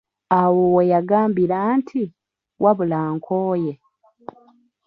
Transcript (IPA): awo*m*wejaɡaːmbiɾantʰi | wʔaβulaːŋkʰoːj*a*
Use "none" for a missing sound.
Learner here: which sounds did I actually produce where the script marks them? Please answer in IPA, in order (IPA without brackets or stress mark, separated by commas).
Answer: none, e